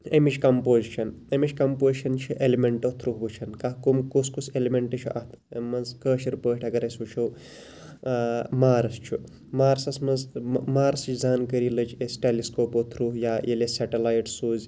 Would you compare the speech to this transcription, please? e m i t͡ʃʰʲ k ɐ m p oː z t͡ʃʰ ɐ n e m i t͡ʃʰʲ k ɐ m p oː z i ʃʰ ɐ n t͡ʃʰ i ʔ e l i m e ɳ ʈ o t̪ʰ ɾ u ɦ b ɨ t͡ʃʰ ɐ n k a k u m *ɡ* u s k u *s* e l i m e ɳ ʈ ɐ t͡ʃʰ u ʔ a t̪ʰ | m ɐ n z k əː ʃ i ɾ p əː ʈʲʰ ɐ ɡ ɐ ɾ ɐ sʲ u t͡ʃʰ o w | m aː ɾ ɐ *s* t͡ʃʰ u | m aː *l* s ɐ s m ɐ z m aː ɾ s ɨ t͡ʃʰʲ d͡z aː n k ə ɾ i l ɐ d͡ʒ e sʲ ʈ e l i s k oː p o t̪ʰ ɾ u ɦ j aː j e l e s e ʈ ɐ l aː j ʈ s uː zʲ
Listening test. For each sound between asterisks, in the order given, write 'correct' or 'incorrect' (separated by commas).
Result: incorrect, correct, correct, incorrect